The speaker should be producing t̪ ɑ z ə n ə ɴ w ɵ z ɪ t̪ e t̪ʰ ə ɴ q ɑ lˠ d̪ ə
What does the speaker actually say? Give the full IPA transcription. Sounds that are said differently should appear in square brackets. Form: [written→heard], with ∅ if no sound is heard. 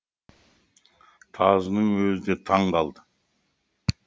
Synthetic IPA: [t̪→t̪ʰ] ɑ z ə n ə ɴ w ɵ z ɪ [t̪→d̪] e t̪ʰ [ə→ɑ] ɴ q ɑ lˠ d̪ ə